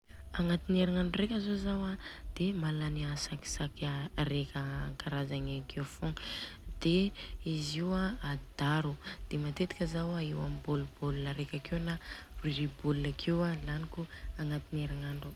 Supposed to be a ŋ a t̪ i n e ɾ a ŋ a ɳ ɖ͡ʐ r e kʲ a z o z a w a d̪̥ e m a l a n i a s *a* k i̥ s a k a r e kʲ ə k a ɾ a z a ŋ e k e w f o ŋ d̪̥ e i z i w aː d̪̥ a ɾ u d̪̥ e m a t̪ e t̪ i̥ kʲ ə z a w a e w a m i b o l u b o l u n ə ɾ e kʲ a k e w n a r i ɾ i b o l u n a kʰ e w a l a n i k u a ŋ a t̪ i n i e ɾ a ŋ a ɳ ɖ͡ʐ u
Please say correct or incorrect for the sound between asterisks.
correct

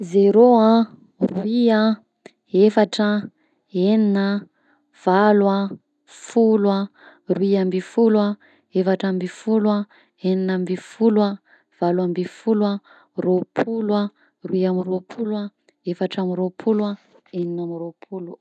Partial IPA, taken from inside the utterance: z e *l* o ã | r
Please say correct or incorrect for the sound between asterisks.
incorrect: ɾ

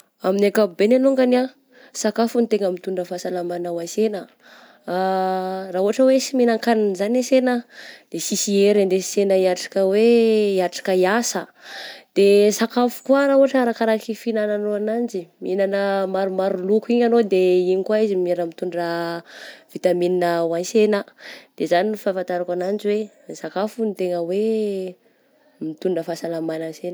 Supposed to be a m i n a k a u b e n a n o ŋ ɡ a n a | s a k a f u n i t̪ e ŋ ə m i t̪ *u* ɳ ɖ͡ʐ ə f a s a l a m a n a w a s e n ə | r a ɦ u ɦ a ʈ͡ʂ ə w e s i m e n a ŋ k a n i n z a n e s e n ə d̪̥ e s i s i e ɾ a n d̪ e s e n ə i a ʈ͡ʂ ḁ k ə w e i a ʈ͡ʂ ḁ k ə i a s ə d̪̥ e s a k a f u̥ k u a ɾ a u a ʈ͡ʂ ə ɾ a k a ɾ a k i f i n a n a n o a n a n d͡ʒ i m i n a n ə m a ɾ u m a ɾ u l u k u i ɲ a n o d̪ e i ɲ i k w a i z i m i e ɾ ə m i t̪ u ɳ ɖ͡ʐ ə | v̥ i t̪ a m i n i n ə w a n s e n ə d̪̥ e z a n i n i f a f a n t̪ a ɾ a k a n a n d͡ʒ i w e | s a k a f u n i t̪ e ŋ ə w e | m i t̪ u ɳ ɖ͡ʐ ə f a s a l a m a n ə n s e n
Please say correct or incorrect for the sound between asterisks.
correct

